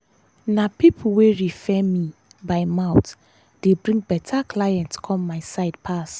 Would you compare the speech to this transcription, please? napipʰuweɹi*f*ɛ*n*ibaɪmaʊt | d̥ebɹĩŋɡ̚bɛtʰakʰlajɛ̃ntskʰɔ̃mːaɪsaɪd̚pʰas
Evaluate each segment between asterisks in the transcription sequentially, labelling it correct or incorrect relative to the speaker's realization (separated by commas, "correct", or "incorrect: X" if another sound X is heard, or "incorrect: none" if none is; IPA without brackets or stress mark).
correct, incorrect: m